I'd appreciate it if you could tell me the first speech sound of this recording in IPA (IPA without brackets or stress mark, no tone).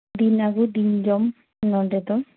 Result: d̪